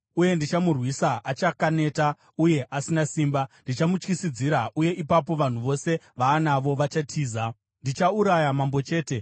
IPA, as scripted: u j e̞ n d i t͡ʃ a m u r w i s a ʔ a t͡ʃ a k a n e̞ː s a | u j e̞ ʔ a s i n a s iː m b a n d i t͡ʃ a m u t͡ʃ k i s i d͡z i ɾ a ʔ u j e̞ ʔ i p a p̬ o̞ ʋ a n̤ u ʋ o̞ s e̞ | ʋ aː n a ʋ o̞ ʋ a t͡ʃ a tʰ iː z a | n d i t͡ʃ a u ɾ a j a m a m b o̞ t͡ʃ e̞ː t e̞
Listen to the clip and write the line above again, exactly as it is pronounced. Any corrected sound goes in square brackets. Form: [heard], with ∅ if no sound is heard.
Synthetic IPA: u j e̞ n d i t͡ʃ a m u r w i s a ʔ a t͡ʃ a k a n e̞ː [t] a | u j e̞ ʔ a s i n a s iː m b a n d i t͡ʃ a m u t͡ʃ k i s i d͡z i ɾ a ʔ u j e̞ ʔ i p a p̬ o̞ ʋ a n̤ u ʋ o̞ s e̞ | ʋ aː n a ʋ o̞ ʋ a t͡ʃ a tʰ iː z a | n d i t͡ʃ a u ɾ a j a m a m b o̞ t͡ʃ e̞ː t e̞